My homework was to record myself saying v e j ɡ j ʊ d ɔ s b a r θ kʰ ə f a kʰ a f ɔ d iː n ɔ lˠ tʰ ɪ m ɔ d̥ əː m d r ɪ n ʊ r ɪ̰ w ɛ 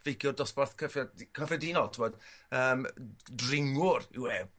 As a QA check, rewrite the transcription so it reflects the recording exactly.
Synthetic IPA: v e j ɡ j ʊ d ɔ s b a r θ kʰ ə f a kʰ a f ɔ d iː n ɔ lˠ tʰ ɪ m ɔ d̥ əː m d r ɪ ŋ ʊ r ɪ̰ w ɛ